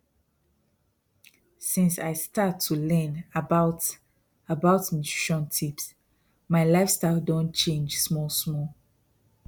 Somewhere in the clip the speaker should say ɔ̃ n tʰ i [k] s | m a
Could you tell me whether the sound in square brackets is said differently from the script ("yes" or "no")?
yes